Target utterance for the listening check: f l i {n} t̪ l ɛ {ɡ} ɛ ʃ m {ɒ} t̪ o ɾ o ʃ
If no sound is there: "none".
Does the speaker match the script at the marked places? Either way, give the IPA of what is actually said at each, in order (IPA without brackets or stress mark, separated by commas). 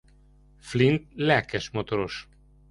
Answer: n, k, o